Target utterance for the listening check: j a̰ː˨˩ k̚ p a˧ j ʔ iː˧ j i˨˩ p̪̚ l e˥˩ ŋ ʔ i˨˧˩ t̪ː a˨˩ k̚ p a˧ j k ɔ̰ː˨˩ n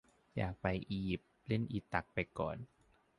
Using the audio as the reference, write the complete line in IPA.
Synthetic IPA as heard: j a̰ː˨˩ k̚ p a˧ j ʔ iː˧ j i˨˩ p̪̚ l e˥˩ n ʔ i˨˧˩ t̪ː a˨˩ k̚ p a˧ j k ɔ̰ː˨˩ n